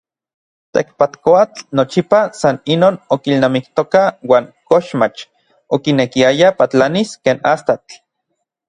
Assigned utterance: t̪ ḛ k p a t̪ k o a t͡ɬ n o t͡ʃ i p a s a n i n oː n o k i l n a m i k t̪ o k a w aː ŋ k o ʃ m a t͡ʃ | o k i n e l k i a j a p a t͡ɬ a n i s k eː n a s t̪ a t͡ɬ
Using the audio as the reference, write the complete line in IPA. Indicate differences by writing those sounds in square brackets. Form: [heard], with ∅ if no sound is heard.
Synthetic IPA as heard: t̪ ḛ k p a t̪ k o a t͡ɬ n o t͡ʃ i p a s a n i n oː n o k i l n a m i k t̪ o k a w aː ŋ k o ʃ m a t͡ʃ | o k i n e [∅] k i a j a p a t͡ɬ a n i s k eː n a s t̪ a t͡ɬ